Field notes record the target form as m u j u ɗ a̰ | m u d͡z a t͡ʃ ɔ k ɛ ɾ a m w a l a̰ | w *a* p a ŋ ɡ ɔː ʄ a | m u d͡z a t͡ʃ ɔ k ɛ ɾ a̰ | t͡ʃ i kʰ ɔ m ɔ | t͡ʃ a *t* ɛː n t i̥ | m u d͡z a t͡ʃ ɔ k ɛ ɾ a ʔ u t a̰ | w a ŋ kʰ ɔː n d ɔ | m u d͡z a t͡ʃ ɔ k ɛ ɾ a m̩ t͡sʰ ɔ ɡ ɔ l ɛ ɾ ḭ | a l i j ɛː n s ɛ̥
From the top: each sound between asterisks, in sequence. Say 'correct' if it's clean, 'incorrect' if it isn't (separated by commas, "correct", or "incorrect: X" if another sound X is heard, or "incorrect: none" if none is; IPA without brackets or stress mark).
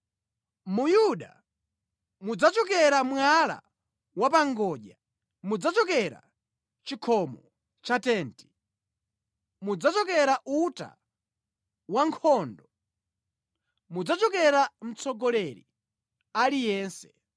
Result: correct, correct